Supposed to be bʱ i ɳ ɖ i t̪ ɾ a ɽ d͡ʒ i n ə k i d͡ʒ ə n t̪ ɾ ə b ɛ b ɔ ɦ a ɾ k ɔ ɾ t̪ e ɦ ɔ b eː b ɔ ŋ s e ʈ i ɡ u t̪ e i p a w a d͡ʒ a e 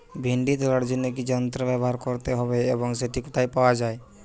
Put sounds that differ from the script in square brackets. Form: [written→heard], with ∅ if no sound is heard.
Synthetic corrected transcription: bʱ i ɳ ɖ i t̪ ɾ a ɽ d͡ʒ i n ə k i d͡ʒ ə n t̪ ɾ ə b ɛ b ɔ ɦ a ɾ k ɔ ɾ t̪ e ɦ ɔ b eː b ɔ ŋ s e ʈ i [ɡ→k] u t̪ [e→a] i p a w a d͡ʒ a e